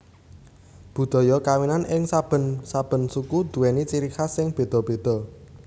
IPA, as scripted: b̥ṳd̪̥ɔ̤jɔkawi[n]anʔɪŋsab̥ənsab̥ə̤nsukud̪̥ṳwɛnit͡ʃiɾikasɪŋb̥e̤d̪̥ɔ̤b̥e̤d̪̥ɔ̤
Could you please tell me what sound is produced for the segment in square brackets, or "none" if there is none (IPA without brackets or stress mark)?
n